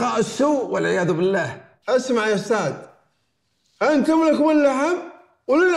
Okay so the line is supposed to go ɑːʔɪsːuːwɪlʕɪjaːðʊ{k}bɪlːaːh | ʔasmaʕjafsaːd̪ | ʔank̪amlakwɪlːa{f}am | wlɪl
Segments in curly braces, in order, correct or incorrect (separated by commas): incorrect, incorrect